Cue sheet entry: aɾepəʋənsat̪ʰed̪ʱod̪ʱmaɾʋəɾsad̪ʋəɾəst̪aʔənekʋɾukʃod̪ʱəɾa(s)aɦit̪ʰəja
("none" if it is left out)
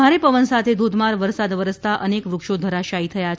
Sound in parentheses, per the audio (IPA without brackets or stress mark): ʃ